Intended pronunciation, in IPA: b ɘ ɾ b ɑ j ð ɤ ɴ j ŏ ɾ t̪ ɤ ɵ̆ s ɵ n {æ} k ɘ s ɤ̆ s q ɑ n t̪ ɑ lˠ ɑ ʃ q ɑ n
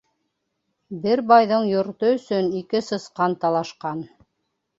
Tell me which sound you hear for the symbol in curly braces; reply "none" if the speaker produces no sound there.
i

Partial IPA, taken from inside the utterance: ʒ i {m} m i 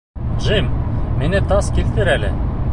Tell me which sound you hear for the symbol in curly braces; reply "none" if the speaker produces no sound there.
m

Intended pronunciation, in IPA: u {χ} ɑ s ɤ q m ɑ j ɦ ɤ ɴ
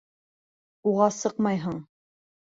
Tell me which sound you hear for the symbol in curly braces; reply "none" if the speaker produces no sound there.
ʁ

